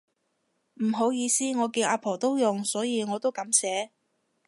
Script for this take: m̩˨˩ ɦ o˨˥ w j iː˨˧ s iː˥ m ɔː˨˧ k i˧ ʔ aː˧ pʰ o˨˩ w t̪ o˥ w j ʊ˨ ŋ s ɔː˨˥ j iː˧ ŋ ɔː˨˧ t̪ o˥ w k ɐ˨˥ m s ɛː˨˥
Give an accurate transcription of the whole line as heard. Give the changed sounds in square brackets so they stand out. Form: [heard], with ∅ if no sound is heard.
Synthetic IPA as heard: m̩˨˩ ɦ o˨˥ w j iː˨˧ s iː˥ [ŋ] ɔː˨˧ k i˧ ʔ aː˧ pʰ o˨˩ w t̪ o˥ w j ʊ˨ ŋ s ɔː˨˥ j iː˧ ŋ ɔː˨˧ t̪ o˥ w k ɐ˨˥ m s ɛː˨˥